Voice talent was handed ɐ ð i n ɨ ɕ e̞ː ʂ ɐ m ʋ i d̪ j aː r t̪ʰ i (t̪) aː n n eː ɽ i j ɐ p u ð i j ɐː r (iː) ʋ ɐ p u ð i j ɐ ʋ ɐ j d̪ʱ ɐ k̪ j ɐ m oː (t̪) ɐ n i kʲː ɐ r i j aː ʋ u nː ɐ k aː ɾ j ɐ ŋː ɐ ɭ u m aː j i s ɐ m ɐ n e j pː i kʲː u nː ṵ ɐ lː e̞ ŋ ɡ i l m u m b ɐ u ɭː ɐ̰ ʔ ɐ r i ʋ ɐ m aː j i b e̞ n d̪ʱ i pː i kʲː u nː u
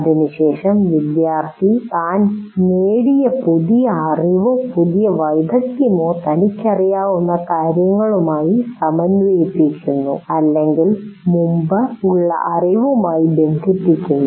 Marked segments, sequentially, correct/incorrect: correct, incorrect: i, correct

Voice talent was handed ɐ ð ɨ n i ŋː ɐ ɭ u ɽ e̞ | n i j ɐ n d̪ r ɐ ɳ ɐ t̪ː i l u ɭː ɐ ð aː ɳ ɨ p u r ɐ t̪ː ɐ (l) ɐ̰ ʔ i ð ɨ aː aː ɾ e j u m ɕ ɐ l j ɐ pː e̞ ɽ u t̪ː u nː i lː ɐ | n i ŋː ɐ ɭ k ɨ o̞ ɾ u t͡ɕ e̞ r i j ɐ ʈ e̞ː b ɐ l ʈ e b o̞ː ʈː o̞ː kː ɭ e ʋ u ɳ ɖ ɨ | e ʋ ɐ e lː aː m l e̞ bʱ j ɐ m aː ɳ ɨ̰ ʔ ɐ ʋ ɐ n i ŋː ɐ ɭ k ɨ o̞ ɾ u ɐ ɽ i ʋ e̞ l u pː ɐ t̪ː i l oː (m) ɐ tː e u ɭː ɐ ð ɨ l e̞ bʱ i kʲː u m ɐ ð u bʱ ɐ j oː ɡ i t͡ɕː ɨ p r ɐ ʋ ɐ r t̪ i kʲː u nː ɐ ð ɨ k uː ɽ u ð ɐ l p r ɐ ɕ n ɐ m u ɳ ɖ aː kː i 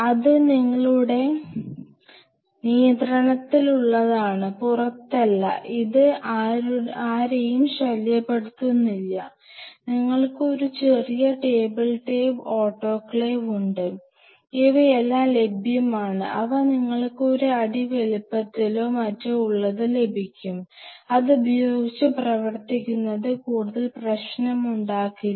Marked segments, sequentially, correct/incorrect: incorrect: lː, correct

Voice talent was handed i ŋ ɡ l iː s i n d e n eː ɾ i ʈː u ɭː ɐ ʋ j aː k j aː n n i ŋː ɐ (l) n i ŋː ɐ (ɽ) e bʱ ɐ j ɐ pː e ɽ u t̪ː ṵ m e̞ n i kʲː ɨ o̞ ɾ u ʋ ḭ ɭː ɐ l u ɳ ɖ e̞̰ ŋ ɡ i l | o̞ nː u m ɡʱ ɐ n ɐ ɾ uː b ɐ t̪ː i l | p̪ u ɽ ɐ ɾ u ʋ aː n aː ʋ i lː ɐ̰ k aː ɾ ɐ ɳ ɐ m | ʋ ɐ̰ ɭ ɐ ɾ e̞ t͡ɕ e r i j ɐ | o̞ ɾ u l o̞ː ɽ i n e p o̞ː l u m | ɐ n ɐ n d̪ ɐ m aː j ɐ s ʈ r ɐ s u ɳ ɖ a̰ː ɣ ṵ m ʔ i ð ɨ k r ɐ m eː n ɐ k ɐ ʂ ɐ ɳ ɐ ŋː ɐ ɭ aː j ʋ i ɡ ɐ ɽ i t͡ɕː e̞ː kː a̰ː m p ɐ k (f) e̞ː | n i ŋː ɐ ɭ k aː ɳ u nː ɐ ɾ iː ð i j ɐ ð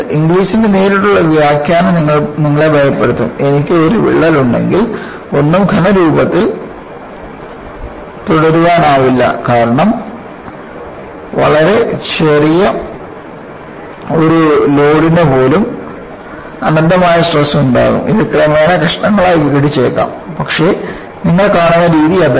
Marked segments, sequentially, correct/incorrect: incorrect: ɭ, incorrect: ɭ, incorrect: ʂ

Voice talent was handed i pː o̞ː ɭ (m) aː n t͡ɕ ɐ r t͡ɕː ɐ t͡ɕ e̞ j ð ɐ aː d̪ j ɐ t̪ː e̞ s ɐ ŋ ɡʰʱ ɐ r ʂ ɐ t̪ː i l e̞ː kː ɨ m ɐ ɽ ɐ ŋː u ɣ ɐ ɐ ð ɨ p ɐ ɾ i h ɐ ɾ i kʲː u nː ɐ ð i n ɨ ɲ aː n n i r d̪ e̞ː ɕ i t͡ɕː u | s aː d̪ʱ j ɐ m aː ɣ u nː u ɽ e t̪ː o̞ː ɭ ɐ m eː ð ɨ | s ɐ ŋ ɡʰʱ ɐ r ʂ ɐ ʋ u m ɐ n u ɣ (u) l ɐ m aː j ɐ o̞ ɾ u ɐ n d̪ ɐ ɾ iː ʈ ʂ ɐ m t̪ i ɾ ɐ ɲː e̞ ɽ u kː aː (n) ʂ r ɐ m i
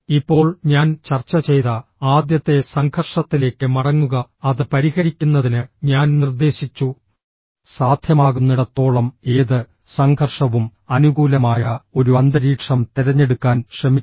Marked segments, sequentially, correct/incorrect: incorrect: ɲ, incorrect: uː, correct

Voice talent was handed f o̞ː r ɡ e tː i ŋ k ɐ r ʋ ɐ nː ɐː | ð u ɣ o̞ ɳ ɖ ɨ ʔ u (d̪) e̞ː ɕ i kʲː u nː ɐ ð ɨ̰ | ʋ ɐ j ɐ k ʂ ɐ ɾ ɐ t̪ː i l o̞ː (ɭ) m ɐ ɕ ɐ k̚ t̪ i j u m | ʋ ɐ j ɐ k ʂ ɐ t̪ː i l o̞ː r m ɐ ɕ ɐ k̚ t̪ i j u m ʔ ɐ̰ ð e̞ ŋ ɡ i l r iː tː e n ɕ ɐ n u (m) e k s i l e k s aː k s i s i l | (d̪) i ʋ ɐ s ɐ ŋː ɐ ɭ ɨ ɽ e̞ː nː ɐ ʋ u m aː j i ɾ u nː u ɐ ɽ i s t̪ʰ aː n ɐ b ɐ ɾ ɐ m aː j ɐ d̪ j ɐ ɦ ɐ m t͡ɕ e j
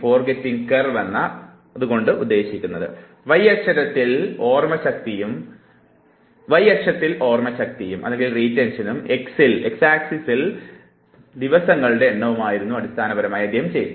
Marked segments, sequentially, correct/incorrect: incorrect: d̪ː, incorrect: r, correct, correct

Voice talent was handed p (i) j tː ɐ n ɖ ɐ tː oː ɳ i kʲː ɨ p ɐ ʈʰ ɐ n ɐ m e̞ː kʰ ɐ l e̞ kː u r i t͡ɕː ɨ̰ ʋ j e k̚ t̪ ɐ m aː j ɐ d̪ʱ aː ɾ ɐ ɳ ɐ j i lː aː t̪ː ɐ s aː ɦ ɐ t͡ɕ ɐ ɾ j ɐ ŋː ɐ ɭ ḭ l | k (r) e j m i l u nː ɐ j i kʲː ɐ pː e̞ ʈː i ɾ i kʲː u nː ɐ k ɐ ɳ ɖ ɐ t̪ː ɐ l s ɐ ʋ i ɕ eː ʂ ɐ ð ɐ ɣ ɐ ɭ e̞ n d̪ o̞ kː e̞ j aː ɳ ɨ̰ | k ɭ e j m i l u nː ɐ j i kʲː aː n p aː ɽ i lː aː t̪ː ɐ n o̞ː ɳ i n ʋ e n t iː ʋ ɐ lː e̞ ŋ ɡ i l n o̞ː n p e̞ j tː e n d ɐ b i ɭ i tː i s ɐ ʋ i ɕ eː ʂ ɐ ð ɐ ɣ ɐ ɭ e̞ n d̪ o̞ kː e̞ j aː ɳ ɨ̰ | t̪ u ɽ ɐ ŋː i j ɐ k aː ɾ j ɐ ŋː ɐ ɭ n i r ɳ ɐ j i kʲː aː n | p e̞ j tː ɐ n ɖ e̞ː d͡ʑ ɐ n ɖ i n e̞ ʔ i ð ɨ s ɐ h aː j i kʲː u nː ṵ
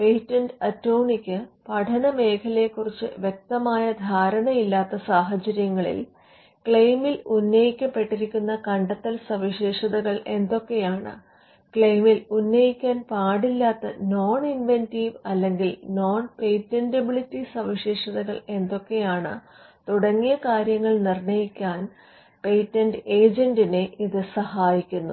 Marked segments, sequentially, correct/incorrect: incorrect: e, incorrect: ɭ

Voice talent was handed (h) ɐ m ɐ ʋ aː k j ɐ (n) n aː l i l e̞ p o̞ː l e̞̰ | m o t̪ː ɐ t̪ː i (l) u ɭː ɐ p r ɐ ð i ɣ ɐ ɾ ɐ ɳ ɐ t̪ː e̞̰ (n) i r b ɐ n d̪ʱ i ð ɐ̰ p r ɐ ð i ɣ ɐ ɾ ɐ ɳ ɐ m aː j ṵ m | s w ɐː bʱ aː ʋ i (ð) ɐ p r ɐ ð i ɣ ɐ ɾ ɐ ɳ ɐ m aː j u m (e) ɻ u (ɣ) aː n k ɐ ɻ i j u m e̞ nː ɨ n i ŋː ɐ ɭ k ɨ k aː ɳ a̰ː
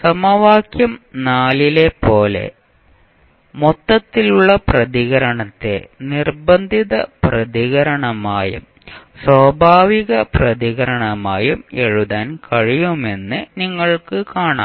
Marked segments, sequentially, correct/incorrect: incorrect: s, incorrect: m, correct, correct, incorrect: ɣ, correct, incorrect: ð

